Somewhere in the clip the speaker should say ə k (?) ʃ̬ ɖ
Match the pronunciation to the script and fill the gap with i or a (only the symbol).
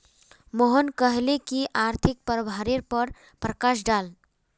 a